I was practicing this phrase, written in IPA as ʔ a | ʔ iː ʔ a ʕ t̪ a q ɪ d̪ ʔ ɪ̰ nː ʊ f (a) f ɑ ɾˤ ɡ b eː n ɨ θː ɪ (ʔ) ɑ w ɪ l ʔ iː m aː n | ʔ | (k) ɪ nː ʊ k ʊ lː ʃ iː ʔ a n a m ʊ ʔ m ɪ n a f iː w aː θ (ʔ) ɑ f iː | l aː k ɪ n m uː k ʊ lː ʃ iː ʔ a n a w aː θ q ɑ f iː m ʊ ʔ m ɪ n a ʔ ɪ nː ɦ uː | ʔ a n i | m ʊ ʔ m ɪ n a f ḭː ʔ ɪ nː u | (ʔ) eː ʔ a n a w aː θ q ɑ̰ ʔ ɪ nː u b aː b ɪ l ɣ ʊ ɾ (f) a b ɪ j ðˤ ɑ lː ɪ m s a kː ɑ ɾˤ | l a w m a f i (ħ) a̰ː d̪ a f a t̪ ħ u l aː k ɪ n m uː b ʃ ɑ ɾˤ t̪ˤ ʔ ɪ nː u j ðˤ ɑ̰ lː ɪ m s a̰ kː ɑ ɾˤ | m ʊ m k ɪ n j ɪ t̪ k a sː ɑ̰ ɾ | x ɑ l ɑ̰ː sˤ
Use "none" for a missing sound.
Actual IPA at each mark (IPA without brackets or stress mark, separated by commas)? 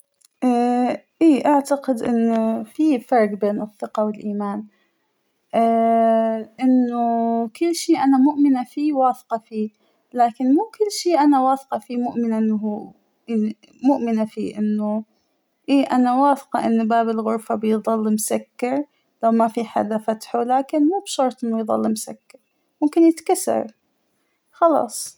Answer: i, q, ʔ, q, ʔ, f, ħ